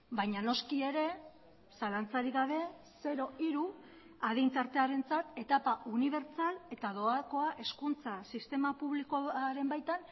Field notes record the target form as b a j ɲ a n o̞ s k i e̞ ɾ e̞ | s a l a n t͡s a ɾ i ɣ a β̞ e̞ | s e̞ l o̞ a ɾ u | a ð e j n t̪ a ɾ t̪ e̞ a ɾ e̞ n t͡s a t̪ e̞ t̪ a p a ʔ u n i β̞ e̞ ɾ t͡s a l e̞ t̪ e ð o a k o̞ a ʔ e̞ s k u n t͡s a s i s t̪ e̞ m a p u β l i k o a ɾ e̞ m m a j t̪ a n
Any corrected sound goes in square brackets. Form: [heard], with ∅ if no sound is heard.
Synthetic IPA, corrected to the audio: b a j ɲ a n o̞ s k i e̞ ɾ e̞ | s a l a n t͡s a ɾ i ɣ a β̞ e̞ | s e̞ [ɾ] o̞ [i] ɾ u | a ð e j n t̪ a ɾ t̪ e̞ a ɾ e̞ n t͡s a t̪ e̞ t̪ a p a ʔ u n i β̞ e̞ ɾ t͡s a l e̞ t̪ [a] ð o a k o̞ a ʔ e̞ s k u n t͡s a s i s t̪ e̞ m a p u β l i k o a ɾ e̞ m [b] a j t̪ a n